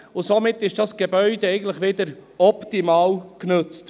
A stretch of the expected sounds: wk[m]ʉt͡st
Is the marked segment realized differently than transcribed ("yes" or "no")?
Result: yes